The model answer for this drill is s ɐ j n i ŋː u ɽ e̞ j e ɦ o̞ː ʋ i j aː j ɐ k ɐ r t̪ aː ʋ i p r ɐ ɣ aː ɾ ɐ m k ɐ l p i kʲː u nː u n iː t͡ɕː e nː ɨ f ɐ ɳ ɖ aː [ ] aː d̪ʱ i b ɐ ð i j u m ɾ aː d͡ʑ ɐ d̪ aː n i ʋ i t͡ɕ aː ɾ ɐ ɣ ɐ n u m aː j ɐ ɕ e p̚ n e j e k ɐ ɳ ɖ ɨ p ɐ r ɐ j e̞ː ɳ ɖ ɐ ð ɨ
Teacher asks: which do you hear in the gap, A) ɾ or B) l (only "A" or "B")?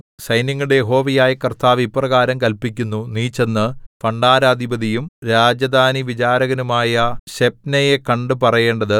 A